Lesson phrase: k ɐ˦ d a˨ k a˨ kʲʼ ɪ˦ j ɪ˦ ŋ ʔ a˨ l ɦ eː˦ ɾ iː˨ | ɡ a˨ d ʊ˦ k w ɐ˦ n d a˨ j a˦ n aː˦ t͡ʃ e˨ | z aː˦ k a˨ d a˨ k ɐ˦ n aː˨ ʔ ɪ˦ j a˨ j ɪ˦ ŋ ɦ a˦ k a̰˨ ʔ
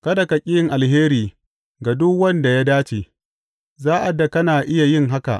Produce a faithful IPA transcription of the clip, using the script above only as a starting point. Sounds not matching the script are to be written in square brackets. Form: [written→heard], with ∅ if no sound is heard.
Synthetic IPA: k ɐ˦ d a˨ k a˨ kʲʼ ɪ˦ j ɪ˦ ŋ ʔ a˨ l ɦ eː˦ ɾ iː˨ | ɡ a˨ d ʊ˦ k w ɐ˦ n d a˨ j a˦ [n→d] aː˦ t͡ʃ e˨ | z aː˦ [k→ʔ] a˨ d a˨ k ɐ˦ n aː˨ ʔ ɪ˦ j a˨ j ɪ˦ ŋ ɦ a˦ k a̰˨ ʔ